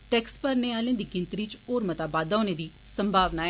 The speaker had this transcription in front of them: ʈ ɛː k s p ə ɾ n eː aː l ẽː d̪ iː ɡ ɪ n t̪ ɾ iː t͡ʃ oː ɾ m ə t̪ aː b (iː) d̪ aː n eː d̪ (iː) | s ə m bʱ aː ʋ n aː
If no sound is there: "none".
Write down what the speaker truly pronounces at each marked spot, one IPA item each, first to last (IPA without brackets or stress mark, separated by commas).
aː, iː